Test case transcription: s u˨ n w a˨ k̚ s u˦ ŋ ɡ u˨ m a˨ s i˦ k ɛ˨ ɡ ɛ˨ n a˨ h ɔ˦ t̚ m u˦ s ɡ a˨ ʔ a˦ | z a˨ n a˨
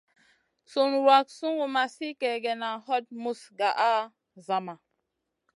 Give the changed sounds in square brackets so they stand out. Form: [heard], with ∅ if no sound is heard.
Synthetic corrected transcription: s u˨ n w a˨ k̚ s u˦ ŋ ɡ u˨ m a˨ s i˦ k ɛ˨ ɡ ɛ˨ n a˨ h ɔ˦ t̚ m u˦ s ɡ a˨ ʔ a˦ | z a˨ [m] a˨